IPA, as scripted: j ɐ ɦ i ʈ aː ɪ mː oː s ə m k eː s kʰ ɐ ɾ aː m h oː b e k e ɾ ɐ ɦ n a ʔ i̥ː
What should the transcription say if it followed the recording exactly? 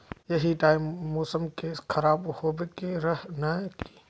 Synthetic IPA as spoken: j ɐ ɦ i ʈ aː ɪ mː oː s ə m k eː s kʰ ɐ ɾ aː b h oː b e k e ɾ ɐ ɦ n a k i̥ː